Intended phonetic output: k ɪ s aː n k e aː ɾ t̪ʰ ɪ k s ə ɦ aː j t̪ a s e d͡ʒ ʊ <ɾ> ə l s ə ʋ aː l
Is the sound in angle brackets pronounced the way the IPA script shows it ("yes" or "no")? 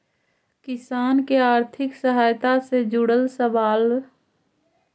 no